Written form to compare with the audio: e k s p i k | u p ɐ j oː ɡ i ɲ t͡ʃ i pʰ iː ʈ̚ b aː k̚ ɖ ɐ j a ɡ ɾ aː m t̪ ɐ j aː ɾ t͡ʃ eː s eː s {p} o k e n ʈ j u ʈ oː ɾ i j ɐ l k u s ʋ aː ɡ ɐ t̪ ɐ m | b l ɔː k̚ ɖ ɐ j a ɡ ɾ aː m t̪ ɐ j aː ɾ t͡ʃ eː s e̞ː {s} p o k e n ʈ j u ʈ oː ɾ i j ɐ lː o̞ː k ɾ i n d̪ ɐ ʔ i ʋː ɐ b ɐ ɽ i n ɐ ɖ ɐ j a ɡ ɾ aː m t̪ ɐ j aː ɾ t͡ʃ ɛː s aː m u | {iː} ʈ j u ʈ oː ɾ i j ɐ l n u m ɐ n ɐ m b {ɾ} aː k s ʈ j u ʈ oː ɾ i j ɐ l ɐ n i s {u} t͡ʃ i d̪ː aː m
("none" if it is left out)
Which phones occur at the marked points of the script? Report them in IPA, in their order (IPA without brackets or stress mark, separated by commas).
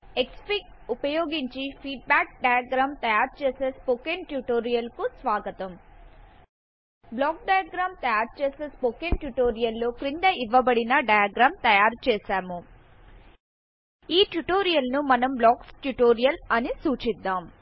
p, s, iː, l, uː